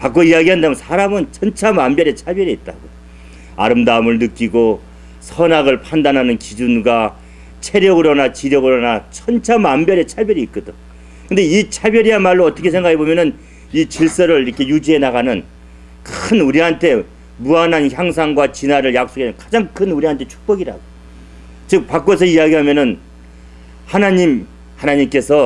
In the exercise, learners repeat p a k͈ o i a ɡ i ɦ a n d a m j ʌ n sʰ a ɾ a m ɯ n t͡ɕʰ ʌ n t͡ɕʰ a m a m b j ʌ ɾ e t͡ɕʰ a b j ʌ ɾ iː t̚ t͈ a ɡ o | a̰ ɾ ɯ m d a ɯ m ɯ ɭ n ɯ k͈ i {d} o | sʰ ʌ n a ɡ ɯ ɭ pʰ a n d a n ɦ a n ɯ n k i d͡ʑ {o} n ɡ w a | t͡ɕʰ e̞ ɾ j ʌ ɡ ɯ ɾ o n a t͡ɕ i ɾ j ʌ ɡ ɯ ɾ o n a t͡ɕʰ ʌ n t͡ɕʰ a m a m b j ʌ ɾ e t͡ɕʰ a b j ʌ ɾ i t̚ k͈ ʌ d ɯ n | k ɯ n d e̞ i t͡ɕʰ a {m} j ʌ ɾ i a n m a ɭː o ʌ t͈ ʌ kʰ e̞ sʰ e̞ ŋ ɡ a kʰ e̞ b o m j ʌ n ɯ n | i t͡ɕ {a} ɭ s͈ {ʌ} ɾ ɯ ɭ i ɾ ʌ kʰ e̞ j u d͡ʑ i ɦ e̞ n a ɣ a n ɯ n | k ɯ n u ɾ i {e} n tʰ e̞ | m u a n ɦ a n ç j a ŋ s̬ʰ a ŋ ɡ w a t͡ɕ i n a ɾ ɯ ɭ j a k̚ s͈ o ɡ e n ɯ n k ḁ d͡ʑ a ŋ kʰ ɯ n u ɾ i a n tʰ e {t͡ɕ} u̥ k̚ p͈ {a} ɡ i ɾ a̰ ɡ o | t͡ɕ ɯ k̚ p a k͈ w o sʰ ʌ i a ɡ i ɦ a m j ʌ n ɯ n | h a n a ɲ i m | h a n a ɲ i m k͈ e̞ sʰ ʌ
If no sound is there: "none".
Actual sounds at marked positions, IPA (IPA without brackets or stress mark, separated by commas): ɡ, u, b, i, ʌ, a, t͡ɕʰ, ʌ